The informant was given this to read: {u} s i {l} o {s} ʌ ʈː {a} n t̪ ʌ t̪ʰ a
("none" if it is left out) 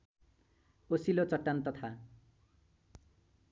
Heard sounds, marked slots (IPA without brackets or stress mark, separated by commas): o, l, t͡s, a